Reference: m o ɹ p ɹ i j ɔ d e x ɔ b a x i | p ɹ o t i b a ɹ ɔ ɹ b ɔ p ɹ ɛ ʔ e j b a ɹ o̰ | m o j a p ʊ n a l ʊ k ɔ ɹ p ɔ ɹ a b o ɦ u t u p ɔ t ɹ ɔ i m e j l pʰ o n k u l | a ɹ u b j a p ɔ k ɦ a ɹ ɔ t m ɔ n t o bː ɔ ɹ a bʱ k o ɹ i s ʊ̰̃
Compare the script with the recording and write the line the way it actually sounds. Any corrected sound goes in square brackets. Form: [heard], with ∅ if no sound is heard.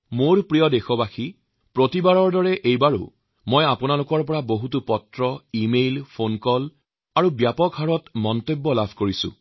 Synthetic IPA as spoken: m o ɹ p ɹ i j ɔ d e x ɔ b a x i | p ɹ o t i b a ɹ ɔ ɹ [d] ɔ [∅] ɹ ɛ ʔ e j b a ɹ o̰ | m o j a p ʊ n a l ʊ k ɔ ɹ p ɔ ɹ a b o ɦ u t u p ɔ t ɹ ɔ i m e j l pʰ o n k [ɔ] l | a ɹ u b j a p ɔ k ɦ a ɹ ɔ t m ɔ n t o bː ɔ [l] a bʱ k o ɹ i s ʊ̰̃